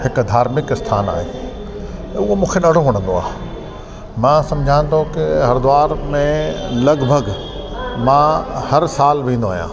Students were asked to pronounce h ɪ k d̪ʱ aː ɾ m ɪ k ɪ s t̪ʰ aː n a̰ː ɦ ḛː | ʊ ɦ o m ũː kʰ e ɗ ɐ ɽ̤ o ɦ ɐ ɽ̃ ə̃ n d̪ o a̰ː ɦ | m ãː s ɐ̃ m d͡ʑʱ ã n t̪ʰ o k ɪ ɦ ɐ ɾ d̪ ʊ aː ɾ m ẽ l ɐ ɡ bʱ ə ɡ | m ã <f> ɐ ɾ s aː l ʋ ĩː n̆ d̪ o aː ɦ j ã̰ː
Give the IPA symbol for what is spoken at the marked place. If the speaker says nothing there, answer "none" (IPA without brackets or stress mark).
h